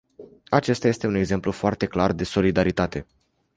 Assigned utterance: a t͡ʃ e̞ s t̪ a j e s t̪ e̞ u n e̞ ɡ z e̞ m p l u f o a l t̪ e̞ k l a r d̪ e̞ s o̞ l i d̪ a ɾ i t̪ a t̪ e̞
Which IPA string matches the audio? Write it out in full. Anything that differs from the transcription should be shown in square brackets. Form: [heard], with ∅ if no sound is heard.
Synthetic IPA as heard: a t͡ʃ e̞ s t̪ a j e s t̪ e̞ u n e̞ ɡ z e̞ m p l u f o a [r] t̪ e̞ k l a r d̪ e̞ s o̞ l i d̪ a ɾ i t̪ a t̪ e̞